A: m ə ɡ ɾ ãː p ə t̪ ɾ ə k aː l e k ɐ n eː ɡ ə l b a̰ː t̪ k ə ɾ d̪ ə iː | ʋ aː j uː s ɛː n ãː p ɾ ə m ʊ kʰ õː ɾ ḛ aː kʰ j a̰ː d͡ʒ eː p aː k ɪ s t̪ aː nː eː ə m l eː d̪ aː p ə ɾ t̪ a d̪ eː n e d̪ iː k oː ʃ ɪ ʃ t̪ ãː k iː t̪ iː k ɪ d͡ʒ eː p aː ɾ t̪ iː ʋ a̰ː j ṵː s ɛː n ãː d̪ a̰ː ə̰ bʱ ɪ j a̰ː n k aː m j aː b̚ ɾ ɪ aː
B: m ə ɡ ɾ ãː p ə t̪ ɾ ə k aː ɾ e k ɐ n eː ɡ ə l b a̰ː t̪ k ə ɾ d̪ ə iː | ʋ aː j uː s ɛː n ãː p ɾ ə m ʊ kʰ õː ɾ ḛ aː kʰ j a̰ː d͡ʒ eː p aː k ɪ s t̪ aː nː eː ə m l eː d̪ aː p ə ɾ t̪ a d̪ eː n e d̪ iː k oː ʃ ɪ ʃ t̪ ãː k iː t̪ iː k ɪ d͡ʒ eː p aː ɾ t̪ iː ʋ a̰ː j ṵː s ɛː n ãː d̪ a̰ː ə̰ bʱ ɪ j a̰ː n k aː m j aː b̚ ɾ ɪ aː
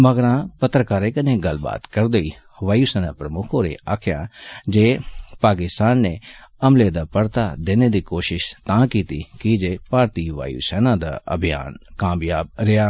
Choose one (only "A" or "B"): B